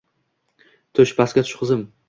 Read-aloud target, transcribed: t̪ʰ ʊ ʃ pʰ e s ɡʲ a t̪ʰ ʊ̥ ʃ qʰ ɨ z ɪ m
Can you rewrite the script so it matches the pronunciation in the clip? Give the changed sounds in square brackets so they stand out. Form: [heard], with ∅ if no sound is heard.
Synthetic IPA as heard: t̪ʰ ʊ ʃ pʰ [a] s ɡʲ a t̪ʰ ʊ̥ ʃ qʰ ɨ z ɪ m

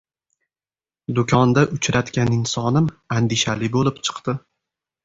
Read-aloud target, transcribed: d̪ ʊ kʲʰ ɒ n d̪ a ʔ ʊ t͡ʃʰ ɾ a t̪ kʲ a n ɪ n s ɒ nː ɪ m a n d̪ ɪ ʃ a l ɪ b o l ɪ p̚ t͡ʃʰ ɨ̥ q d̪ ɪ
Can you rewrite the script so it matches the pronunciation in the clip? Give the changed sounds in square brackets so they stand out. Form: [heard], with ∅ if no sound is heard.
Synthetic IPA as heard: d̪ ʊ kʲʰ ɒ n d̪ a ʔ ʊ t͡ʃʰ ɾ a t̪ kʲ a n ɪ n s ɒ [n] ɪ m a n d̪ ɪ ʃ a l ɪ b o l ɪ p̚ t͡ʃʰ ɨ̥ q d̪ ɪ

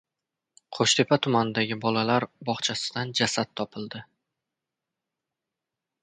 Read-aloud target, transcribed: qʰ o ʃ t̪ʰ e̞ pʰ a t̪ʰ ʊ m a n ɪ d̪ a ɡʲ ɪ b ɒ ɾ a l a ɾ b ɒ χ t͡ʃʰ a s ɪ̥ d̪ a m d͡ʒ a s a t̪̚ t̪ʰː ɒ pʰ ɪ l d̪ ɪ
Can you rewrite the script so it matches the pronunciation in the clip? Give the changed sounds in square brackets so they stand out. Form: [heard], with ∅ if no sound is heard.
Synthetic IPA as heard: qʰ o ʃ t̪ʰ e̞ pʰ a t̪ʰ ʊ m a n ɪ d̪ a ɡʲ ɪ b ɒ [l] a l a ɾ b ɒ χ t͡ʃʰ a s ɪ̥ d̪ a [n] d͡ʒ a s a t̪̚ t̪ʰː ɒ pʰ ɪ l d̪ ɪ

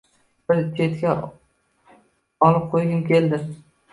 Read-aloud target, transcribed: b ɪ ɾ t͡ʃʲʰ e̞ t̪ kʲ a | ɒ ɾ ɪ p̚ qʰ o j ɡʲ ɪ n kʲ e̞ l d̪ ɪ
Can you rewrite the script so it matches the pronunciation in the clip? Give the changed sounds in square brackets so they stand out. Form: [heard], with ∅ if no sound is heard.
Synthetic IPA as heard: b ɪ ɾ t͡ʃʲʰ e̞ t̪ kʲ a | ɒ [l] ɪ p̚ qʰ o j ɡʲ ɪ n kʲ e̞ l d̪ ɪ

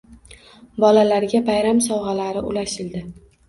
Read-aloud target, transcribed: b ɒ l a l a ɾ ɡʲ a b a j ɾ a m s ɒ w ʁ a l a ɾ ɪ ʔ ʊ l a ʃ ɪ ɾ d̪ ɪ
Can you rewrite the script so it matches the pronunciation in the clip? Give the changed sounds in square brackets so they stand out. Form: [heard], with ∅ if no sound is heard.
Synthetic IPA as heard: b ɒ l a l a ɾ ɡʲ a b a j ɾ a m s ɒ w ʁ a l a ɾ ɪ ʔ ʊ l a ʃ ɪ [l] d̪ ɪ

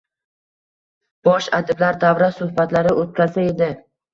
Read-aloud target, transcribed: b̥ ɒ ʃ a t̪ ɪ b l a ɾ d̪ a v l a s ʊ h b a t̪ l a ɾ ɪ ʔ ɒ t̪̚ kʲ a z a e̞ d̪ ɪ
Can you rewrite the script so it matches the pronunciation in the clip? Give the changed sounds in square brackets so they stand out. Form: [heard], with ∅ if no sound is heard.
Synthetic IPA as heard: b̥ ɒ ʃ a [d̪] ɪ b l a ɾ d̪ a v [ɾ] a s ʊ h b a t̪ l a ɾ ɪ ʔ [o] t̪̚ kʲ a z a e̞ d̪ ɪ

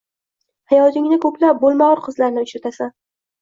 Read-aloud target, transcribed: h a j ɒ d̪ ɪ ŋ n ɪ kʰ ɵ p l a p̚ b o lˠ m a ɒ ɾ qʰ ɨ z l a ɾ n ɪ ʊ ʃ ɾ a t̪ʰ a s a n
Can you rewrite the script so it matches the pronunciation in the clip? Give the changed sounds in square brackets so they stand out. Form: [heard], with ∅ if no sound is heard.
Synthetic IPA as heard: h a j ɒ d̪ ɪ ŋ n ɪ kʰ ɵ p l a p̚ b o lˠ m a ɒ ɾ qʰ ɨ z l a ɾ n ɪ ʊ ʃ ɾ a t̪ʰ a s a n

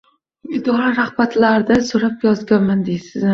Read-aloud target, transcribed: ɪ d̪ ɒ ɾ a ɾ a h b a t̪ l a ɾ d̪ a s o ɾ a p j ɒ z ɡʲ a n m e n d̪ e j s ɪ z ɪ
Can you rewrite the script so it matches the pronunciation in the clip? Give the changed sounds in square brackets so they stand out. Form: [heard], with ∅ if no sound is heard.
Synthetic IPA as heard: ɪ d̪ ɒ ɾ a ɾ a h b a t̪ l a ɾ d̪ a s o ɾ a p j ɒ z ɡʲ a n m [a] n d̪ e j s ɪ z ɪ

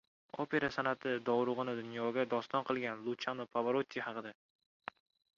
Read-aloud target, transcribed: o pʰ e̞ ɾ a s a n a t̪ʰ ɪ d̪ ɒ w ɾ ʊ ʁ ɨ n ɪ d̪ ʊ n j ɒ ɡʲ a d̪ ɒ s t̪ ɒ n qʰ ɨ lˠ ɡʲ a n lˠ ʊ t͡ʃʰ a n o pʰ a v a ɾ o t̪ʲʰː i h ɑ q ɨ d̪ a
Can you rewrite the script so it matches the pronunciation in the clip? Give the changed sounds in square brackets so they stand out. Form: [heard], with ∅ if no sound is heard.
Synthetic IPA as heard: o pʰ e̞ ɾ a s a n a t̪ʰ ɪ d̪ ɒ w ɾ ʊ ʁ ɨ n ɪ d̪ ʊ n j ɒ ɡʲ a d̪ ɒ s t̪ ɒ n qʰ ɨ lˠ ɡʲ a n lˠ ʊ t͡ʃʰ a n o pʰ a v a ɾ o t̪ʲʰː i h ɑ q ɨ d̪ a

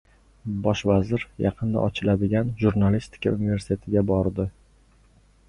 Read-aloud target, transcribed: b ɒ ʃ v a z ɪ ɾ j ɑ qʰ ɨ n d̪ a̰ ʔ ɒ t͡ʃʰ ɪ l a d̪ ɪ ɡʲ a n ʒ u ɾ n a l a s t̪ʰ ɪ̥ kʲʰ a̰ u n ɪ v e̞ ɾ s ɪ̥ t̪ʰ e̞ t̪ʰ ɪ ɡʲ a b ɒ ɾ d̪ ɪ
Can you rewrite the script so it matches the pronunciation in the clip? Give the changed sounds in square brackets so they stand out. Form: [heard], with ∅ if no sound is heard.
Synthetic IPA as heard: b ɒ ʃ v a z ɪ ɾ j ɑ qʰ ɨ n d̪ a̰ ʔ ɒ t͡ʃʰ ɪ l a d̪ ɪ ɡʲ a n ʒ u ɾ n a l [i] s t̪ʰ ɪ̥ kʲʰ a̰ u n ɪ v e̞ ɾ s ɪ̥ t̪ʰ e̞ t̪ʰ ɪ ɡʲ a b ɒ ɾ d̪ ɪ

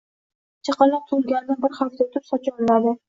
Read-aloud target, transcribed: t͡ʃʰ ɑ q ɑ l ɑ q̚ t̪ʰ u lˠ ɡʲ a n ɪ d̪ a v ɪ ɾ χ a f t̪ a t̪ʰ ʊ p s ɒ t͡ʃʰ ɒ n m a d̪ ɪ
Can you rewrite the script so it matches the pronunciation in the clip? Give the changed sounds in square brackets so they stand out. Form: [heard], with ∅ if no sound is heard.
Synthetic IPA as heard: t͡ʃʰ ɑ q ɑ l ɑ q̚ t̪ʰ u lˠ ɡʲ a n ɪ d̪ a [b] ɪ ɾ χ a f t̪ a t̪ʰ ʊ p s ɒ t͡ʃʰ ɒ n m a d̪ ɪ

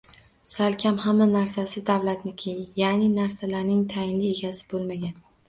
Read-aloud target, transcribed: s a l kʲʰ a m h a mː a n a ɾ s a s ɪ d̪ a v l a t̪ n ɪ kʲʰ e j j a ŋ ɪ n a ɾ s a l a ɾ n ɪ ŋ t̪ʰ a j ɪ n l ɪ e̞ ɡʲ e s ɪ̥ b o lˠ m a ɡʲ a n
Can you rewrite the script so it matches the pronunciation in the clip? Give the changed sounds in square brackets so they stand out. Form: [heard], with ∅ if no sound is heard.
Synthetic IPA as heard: s a l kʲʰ a m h a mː a n a ɾ s a s ɪ d̪ a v l a t̪ n ɪ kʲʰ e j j a [n] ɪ n a ɾ s a l a ɾ n ɪ ŋ t̪ʰ a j ɪ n l ɪ e̞ ɡʲ [a] s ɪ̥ b o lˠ m a ɡʲ a n

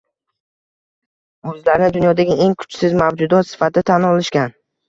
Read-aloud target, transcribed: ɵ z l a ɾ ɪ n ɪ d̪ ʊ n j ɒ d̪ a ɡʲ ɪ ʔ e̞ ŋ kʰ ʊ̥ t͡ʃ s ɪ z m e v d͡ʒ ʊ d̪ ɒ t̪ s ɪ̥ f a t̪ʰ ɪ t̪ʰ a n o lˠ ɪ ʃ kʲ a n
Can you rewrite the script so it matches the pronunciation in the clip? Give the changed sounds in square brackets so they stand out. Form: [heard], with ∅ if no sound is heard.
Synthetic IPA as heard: ɵ z l a ɾ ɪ n ɪ d̪ ʊ n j ɒ d̪ a ɡʲ ɪ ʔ e̞ ŋ kʰ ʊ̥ t͡ʃ s ɪ z m [a] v d͡ʒ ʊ d̪ ɒ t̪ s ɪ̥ f a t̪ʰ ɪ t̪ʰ a n [ɒ] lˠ ɪ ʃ kʲ a n

